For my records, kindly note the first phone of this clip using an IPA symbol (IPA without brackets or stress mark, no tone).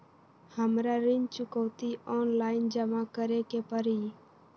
h